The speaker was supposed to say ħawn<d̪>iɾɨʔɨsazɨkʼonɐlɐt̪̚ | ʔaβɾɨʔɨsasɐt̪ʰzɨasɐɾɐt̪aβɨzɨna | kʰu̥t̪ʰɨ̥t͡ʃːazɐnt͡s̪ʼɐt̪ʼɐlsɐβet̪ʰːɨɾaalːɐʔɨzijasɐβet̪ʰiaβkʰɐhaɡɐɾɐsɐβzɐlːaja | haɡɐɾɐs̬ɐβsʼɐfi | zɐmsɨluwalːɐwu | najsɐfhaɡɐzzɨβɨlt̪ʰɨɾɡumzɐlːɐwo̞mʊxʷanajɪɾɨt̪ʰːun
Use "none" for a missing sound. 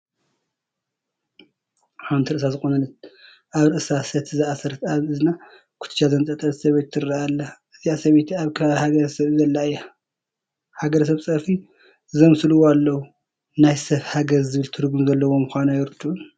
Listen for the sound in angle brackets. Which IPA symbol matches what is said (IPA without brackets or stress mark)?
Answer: t̪